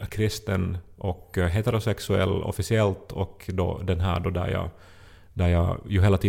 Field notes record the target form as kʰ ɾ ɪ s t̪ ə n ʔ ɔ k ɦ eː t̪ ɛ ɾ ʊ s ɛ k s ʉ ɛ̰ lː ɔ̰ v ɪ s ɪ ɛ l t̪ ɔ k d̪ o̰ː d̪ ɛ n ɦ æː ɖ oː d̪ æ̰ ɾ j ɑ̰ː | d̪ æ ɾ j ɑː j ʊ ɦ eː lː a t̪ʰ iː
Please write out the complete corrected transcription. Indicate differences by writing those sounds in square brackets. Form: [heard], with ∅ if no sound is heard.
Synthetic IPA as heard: kʰ ɾ ɪ s t̪ ə n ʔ ɔ k ɦ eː t̪ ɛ ɾ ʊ s ɛ k s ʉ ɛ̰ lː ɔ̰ [f] ɪ s ɪ ɛ l t̪ ɔ k d̪ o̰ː d̪ ɛ n ɦ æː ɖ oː d̪ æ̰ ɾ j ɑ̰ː | d̪ æ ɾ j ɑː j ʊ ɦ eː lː a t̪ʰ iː